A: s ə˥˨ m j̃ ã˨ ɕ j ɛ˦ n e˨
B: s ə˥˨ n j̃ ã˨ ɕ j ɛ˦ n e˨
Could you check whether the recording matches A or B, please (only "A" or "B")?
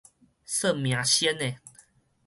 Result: A